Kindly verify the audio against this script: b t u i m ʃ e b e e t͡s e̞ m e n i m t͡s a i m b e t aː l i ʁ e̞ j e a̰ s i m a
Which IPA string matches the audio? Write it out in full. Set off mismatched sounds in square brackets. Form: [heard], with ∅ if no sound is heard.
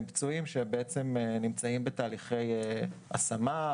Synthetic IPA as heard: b [t͡s] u i m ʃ e b e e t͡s e̞ m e n i m t͡s a i m b e t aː l i [χ] e̞ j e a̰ s [a] m a